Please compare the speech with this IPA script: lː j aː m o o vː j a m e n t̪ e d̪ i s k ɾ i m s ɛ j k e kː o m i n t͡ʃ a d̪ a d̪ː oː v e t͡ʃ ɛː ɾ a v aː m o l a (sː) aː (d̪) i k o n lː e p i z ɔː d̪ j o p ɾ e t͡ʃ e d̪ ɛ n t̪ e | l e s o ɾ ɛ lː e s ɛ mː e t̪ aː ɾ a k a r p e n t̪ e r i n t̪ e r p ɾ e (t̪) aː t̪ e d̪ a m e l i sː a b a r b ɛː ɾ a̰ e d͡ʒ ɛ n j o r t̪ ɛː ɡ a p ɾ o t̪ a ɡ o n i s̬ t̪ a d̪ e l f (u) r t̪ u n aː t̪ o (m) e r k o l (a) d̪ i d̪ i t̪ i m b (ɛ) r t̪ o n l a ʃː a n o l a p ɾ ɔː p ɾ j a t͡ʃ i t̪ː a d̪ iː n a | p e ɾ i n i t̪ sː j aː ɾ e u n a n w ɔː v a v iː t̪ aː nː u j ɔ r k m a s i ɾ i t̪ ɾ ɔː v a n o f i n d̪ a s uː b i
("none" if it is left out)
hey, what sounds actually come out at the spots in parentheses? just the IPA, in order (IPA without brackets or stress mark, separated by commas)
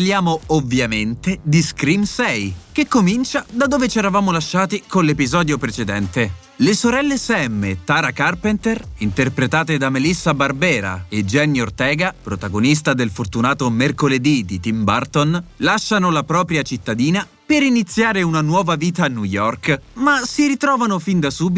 ʃː, t̪, t̪, o, m, e, a